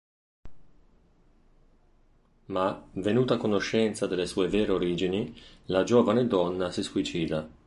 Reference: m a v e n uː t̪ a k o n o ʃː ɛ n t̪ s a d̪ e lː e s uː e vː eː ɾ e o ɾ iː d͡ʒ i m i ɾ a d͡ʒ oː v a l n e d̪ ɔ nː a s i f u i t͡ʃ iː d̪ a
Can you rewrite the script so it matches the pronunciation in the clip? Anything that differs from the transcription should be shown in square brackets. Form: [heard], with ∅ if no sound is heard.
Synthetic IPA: m a v e n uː t̪ a k o n o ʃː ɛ n t̪ s a d̪ e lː e s uː e [v] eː ɾ e o ɾ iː d͡ʒ i [n] i [l] a d͡ʒ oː v a [∅] n e d̪ ɔ nː a s i [s] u i t͡ʃ iː d̪ a